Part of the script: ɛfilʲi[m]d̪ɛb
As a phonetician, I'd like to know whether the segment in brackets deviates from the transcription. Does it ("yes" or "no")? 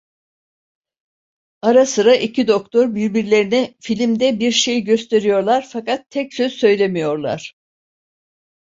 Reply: no